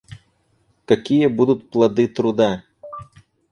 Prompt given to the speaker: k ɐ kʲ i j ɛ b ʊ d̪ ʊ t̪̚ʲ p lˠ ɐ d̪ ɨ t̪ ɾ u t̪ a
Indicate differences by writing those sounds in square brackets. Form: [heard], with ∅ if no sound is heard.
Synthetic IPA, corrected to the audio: k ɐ kʲ i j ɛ b [u] d̪ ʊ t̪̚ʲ p lˠ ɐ d̪ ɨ t̪ ɾ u [d̪] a